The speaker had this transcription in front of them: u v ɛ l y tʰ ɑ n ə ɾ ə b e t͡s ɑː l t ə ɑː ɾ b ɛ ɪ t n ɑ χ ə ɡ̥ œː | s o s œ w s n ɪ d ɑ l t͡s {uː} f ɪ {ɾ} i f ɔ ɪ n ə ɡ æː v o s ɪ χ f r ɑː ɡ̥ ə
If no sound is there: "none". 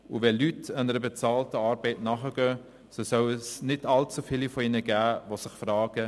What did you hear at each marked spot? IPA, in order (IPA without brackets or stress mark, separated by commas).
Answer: u, l